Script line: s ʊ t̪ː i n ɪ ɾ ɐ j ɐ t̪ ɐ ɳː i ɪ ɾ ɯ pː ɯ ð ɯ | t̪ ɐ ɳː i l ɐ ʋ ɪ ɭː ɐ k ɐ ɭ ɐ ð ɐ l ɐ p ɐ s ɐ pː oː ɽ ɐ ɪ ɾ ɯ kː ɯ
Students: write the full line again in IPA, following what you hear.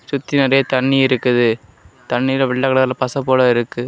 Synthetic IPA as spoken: s ʊ t̪ː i n ɪ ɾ ɐ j ɐ t̪ ɐ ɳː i ɪ ɾ ɯ kː ɯ ð ɯ | t̪ ɐ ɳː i l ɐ ʋ ɪ ɭː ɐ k ɐ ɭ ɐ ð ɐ l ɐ p ɐ s ɐ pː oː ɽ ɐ ɪ ɾ ɯ kː ɯ